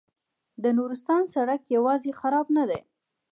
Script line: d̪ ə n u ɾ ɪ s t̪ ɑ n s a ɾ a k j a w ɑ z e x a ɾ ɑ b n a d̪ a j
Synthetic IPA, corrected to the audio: d̪ ə n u ɾ ɪ s t̪ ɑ n s a ɽ a k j a w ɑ z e x a ɾ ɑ b n a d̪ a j